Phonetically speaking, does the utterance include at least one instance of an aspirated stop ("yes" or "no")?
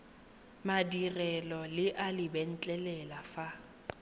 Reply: no